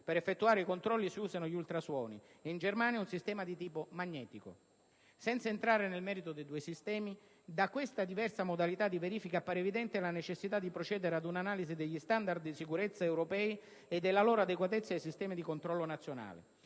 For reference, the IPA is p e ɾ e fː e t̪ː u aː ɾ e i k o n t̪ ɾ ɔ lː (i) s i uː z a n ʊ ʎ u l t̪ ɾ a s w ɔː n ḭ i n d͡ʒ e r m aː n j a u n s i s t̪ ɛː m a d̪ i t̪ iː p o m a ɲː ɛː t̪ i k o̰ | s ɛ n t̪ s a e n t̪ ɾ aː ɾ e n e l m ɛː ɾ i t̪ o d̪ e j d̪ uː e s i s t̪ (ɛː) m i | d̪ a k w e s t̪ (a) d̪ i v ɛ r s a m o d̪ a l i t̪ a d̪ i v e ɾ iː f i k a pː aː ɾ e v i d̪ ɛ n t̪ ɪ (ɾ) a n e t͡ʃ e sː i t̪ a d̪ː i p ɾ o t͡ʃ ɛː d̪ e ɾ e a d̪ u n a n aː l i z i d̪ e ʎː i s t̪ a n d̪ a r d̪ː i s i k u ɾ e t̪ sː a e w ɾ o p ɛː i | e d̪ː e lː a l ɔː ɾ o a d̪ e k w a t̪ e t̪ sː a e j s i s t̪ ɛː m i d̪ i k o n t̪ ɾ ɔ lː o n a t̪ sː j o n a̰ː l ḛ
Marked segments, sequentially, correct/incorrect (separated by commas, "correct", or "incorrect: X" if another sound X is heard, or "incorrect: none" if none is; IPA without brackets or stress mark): correct, correct, correct, incorrect: l